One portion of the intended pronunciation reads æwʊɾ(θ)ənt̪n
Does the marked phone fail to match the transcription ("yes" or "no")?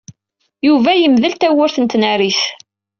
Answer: no